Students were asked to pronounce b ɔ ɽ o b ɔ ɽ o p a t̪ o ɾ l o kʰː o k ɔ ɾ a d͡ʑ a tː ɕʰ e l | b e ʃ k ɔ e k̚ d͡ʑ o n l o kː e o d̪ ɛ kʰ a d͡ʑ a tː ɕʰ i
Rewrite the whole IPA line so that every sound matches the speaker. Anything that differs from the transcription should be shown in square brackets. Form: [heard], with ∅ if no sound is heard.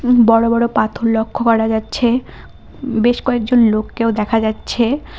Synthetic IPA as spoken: b ɔ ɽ o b ɔ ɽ o p a [t̪ʰ] o ɾ l o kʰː o k ɔ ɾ a d͡ʑ a tː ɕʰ e [∅] | b e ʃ k ɔ e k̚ d͡ʑ o n l o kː e o d̪ ɛ kʰ a d͡ʑ a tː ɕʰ [e]